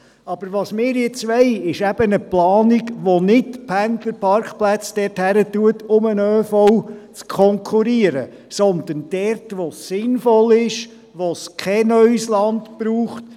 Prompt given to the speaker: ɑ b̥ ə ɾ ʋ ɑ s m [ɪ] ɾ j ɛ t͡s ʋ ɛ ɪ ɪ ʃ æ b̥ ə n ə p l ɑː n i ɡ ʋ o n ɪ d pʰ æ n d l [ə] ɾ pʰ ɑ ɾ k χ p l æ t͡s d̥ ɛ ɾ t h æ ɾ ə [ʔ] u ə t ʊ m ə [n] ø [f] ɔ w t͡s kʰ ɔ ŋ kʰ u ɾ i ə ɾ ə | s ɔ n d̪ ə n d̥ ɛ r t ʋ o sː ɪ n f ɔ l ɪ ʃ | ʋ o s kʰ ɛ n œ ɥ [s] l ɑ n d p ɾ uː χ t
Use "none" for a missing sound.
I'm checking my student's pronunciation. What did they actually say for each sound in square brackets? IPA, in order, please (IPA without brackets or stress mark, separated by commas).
ɪː, ə, t, n, f, s